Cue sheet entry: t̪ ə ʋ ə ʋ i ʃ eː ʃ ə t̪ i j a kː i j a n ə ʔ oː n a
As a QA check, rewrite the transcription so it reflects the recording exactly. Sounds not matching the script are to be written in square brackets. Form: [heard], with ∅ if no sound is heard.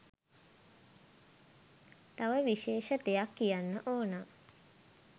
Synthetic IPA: t̪ [a] ʋ ə ʋ i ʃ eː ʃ ə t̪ [e] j a kː i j a [nː] ə ʔ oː n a